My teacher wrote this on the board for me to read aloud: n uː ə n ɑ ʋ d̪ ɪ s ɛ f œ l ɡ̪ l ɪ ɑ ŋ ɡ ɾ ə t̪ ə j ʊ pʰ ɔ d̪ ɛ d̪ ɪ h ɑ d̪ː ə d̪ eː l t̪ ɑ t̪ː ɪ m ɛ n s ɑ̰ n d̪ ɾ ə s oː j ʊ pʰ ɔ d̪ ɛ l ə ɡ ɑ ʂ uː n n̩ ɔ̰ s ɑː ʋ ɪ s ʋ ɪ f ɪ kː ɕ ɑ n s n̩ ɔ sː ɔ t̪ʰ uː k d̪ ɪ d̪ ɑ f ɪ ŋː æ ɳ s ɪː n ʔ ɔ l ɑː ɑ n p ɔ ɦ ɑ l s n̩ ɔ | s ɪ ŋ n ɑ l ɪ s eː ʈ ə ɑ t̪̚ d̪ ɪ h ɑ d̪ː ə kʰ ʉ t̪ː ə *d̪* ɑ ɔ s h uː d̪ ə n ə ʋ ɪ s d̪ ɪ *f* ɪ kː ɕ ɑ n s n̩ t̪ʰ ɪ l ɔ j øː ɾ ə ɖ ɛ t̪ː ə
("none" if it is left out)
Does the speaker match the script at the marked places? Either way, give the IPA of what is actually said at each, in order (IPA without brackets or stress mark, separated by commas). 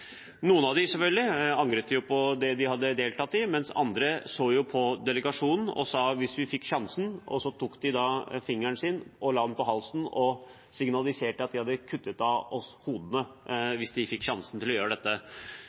t̪, f